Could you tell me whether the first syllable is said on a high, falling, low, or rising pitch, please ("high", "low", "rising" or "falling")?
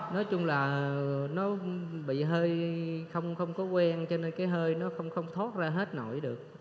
rising